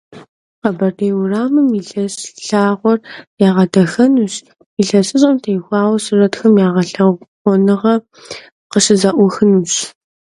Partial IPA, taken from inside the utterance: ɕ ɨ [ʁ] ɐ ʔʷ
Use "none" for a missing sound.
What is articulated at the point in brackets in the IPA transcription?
z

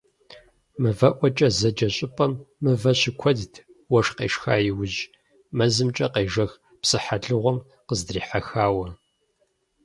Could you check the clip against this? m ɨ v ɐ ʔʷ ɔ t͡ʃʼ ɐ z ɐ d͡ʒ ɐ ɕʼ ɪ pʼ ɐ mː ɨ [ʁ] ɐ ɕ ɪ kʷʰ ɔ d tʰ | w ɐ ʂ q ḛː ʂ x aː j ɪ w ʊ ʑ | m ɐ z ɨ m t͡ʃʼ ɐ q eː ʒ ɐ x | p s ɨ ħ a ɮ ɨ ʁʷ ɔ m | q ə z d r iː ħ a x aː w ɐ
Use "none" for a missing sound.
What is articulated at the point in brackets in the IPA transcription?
v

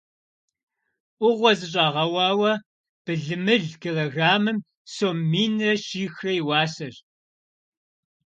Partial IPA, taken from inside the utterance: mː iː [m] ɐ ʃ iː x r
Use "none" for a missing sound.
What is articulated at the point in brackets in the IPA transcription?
n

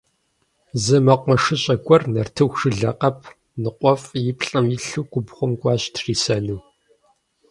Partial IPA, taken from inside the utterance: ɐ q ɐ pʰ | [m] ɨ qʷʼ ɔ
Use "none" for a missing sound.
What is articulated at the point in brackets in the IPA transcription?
n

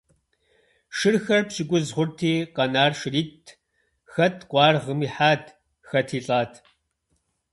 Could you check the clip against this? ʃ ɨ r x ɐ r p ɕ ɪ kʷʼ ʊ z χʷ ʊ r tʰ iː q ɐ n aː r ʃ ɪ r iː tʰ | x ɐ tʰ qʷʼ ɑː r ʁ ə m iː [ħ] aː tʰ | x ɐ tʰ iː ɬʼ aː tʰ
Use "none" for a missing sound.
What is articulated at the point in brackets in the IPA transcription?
ħ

